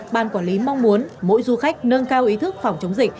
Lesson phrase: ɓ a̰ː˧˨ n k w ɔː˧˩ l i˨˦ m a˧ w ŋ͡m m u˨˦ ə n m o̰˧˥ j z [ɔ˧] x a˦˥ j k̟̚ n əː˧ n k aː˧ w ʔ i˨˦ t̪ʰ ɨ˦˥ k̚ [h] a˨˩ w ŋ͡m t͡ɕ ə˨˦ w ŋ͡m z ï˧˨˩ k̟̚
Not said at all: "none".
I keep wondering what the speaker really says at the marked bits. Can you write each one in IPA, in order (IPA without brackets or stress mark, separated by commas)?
u˧, f